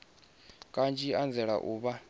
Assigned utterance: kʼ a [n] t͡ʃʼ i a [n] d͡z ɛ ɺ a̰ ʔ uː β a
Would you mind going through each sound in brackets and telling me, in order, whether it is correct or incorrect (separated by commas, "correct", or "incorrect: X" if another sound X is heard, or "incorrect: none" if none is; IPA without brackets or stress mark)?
correct, correct